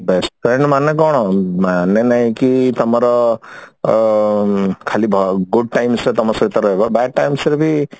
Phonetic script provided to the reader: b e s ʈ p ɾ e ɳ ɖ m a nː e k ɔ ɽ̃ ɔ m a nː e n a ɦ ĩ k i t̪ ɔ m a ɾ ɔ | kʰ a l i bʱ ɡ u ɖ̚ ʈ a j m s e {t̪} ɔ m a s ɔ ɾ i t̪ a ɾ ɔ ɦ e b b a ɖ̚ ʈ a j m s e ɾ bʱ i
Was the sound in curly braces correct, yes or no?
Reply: yes